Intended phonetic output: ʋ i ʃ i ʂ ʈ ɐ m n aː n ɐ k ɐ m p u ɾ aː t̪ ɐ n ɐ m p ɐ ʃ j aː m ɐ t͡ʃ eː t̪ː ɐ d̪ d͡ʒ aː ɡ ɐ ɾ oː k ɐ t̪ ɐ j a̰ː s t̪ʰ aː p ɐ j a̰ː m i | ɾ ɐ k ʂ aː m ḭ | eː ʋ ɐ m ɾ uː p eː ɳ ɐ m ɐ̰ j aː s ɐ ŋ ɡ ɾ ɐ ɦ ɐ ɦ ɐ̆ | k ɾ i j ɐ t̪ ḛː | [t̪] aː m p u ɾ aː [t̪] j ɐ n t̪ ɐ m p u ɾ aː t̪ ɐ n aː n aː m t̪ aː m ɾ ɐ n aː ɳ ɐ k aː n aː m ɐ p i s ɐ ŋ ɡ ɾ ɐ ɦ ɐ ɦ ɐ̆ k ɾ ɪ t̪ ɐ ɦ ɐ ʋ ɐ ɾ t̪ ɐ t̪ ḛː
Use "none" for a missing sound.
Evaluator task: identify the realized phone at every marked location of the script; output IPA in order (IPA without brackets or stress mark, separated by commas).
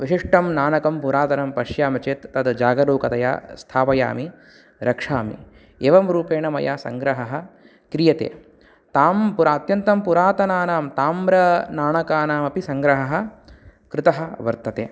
t̪, t̪